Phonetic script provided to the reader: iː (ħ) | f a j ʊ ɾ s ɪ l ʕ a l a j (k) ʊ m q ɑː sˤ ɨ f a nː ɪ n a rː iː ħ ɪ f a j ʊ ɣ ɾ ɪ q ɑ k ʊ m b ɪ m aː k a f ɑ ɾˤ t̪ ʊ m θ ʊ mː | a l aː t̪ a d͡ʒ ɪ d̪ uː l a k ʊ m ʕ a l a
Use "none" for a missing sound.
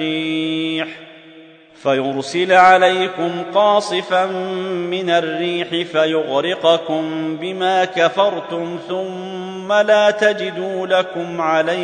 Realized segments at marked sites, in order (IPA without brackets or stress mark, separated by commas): ħ, k